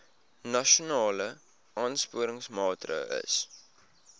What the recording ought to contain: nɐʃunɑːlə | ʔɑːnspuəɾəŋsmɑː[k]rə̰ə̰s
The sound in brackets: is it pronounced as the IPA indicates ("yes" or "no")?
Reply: no